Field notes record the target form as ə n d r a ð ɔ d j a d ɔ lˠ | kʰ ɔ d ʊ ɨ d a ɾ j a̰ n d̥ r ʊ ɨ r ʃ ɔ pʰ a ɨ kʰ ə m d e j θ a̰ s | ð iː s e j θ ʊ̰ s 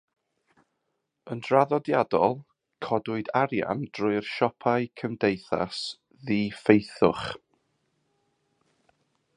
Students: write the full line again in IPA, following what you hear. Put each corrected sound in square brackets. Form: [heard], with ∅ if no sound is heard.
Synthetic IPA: ə n d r a ð ɔ d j a d ɔ lˠ | kʰ ɔ d ʊ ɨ d a ɾ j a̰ n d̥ r ʊ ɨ r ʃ ɔ pʰ a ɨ kʰ ə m d e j θ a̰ s | ð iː [f] e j θ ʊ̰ [χ]